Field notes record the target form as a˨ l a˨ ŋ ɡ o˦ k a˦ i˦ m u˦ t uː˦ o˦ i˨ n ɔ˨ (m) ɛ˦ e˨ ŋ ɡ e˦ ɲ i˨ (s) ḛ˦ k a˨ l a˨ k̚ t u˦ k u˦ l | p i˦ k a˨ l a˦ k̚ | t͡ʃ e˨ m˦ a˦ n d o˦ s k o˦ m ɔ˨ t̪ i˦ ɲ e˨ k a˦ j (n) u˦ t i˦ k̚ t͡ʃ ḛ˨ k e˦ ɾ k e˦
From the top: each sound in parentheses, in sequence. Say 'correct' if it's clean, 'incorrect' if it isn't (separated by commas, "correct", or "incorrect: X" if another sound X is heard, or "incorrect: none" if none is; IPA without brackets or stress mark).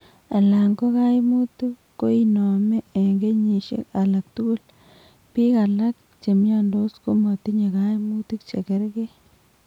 correct, incorrect: ʃ, incorrect: m